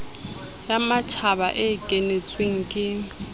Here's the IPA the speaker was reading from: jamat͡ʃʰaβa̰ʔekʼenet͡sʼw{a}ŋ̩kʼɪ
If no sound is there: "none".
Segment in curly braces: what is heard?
e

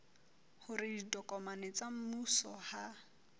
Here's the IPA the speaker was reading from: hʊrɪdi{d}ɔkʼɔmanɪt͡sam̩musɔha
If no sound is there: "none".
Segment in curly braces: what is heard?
d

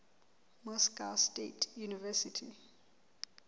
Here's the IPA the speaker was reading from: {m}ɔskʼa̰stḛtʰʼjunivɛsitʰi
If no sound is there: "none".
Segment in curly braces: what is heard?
m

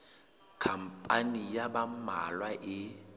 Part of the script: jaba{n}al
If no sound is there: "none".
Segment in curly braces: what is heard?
m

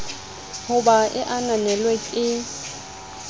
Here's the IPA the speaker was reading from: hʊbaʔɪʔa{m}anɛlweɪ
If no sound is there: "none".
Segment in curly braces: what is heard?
n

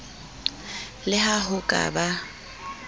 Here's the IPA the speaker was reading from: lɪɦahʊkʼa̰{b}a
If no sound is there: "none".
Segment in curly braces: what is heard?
b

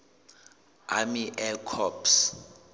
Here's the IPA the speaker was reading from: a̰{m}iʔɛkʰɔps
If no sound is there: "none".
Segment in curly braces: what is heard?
m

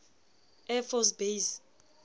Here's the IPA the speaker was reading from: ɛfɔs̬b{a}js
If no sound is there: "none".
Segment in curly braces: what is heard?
e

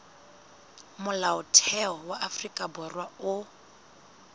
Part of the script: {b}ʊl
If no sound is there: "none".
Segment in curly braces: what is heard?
m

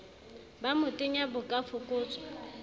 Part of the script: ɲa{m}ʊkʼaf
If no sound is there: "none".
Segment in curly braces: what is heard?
b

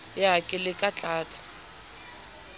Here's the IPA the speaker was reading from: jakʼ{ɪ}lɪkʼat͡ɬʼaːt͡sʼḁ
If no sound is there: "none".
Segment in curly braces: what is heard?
ɪ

